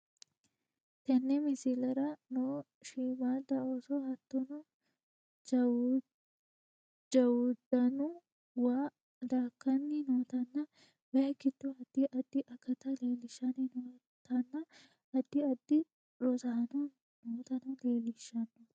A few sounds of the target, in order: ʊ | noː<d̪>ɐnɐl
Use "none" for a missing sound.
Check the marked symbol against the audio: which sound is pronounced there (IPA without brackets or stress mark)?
t̪